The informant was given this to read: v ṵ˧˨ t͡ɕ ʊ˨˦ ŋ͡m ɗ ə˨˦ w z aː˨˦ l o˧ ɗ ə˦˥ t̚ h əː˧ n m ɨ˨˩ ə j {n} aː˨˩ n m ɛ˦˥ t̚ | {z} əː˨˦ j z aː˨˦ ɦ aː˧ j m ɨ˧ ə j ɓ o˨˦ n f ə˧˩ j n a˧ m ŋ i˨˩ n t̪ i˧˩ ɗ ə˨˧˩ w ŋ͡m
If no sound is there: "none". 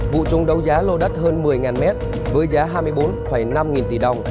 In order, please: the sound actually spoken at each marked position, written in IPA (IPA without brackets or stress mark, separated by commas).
ŋ, v